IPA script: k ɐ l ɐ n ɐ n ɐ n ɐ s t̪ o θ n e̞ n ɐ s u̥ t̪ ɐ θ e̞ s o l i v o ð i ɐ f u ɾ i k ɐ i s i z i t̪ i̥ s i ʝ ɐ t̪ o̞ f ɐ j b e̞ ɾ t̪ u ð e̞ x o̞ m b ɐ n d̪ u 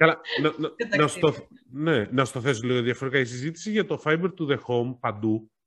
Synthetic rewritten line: k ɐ l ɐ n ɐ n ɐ n ɐ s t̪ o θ n e̞ n ɐ s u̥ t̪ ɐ θ e̞ s o l i ɣ o ð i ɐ f o ɾ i k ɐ i s i z i t̪ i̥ s i ʝ ɐ t̪ o̞ f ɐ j b e̞ ɾ t̪ u ð e̞ x o̞ m p ɐ n d̪ u